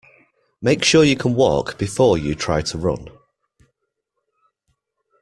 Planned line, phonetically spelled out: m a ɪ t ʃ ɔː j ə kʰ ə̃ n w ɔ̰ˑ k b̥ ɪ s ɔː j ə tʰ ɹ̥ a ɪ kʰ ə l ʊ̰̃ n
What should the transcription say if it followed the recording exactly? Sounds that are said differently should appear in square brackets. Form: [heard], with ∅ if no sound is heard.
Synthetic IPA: m [e] ɪ [k] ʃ ɔː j ə kʰ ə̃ n w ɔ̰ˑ k b̥ ɪ [f] ɔː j ə tʰ ɹ̥ a ɪ [tʰ] ə [ɹ] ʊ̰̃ n